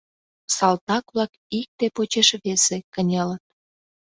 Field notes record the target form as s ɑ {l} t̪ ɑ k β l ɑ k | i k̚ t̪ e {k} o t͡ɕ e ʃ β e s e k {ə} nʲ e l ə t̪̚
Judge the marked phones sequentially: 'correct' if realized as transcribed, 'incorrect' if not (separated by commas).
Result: correct, incorrect, correct